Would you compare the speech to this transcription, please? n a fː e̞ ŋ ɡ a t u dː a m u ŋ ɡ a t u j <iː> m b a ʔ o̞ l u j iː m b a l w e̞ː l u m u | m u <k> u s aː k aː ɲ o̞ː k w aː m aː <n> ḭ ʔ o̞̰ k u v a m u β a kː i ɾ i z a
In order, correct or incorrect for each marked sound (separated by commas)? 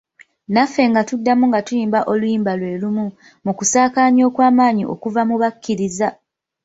correct, correct, incorrect